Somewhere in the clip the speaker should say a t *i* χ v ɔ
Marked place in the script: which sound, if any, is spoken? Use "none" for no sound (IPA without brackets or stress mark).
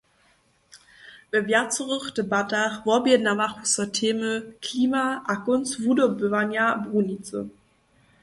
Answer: a